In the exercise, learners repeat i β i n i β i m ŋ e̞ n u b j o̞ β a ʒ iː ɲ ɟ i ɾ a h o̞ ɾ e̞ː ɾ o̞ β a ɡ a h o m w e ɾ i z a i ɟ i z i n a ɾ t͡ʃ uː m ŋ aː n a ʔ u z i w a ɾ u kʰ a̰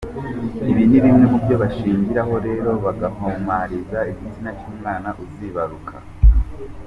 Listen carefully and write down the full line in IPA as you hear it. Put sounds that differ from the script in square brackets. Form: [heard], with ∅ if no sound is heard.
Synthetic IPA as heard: i β i n i β i m ŋ e̞ [m] u b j o̞ β a [ʃ] iː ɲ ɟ i ɾ a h o̞ ɾ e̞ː ɾ o̞ β a ɡ a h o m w [a] ɾ i z a i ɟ i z i n a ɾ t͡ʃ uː m ŋ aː n a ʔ u z i [β] a ɾ u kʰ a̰